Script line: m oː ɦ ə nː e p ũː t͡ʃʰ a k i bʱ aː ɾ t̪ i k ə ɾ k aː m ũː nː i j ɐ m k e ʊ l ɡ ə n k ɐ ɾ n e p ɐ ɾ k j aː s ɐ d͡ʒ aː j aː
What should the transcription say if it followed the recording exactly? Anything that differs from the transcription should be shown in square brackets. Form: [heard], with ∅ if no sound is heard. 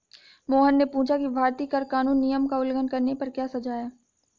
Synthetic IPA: m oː ɦ ə nː e p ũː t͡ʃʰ a k i bʱ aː ɾ t̪ i k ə ɾ k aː [n] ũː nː i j [ə] m k [a] ʊ l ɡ ə n k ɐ ɾ n e p ɐ ɾ k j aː s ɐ d͡ʒ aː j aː